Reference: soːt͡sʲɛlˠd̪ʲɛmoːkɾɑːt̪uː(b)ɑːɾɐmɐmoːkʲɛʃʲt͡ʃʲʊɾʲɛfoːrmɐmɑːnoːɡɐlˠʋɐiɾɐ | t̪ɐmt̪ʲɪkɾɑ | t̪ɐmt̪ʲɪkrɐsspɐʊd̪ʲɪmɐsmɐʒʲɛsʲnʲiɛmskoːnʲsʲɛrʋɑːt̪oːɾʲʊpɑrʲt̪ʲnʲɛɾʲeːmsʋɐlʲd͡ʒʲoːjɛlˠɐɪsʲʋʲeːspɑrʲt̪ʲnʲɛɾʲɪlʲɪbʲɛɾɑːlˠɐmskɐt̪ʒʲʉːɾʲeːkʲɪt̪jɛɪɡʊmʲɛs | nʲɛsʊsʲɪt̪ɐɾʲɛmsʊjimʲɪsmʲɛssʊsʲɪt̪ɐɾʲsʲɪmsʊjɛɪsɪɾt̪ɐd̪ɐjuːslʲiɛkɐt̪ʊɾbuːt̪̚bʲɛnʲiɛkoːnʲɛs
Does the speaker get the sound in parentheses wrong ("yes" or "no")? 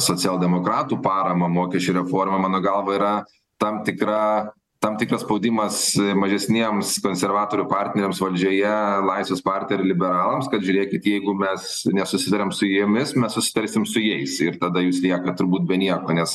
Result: yes